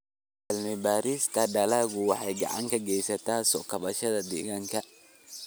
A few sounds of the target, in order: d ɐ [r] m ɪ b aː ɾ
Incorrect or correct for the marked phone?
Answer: incorrect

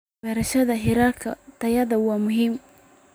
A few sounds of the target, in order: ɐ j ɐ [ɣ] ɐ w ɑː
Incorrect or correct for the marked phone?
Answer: incorrect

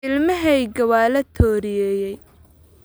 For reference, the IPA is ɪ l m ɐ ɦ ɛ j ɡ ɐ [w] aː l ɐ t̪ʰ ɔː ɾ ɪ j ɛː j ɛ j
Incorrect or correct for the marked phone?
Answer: correct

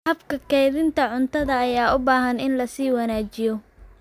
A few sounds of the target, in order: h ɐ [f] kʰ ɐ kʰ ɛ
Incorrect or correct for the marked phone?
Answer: correct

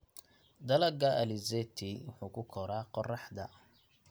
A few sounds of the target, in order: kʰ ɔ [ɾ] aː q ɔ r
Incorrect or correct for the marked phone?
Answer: correct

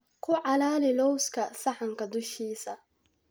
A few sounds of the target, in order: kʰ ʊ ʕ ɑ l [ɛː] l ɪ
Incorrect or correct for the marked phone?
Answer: incorrect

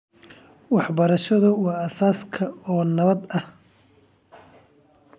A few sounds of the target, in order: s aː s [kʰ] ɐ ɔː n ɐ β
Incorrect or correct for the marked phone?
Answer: correct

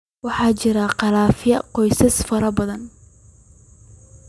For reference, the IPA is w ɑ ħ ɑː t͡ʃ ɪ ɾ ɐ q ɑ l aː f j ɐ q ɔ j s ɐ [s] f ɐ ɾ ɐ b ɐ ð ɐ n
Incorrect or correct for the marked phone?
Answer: correct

